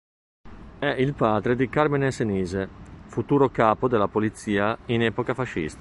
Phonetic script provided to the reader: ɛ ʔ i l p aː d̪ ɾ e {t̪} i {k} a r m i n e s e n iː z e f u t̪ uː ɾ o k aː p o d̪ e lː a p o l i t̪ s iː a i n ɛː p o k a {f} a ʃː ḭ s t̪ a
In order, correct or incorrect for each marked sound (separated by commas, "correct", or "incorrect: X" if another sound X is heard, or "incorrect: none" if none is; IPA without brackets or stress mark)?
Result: incorrect: d̪, correct, correct